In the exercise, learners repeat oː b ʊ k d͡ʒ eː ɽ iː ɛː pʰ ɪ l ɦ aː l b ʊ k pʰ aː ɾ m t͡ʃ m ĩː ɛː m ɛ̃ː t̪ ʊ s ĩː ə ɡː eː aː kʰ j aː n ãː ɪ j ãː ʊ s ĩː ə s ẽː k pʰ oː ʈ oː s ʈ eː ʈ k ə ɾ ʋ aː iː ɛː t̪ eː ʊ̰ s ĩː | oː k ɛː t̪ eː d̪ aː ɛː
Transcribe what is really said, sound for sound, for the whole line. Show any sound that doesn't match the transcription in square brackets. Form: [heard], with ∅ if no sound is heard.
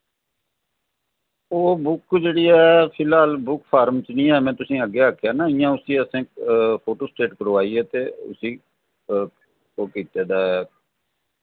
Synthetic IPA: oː b ʊ k d͡ʒ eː ɽ iː ɛː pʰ ɪ l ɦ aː l b ʊ k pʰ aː ɾ m t͡ʃ [n] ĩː ɛː m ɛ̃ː t̪ ʊ s ĩː ə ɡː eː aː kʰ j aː n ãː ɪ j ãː ʊ s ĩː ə s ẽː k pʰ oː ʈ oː s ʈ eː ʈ k ə ɾ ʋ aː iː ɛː t̪ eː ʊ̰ s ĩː | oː k [iː] t̪ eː d̪ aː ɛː